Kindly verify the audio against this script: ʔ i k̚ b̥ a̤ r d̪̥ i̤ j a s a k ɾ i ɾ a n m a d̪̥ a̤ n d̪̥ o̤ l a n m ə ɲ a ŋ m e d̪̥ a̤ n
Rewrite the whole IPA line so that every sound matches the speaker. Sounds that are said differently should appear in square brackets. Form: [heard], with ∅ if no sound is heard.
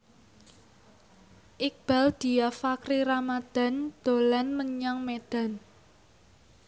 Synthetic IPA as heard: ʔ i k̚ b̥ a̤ [l] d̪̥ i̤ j a [f] a k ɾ i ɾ a [∅] m a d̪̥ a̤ n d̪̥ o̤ l a n m ə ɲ a ŋ m e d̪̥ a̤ n